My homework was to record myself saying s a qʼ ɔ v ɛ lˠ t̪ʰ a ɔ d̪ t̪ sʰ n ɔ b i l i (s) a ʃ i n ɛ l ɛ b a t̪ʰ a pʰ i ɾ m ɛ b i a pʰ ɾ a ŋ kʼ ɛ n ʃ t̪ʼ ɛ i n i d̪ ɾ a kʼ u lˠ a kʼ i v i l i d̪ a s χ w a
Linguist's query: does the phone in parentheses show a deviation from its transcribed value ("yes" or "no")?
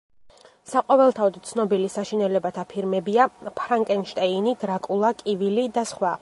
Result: no